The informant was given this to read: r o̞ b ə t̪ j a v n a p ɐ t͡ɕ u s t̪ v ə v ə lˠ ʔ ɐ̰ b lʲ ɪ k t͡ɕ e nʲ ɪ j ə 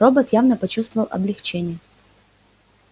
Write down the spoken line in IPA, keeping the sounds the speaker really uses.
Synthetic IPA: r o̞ b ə t̪ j a v n ə p ɐ t͡ɕ u s t̪ v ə v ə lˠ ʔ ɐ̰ b lʲ ɪ x t͡ɕ e nʲ ɪ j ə